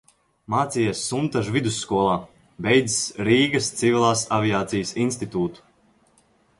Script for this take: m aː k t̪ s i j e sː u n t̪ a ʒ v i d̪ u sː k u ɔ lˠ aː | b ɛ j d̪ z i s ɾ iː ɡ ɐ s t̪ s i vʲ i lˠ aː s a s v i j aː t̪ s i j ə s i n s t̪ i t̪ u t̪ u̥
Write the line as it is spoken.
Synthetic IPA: m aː t̪ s i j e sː u n t̪ a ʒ v i d̪ u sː k u ɔ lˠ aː | b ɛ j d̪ z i s ɾ iː ɡ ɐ s t̪ s i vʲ i lˠ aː s a v i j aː t̪ s i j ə s i n s t̪ i t̪ uː t̪ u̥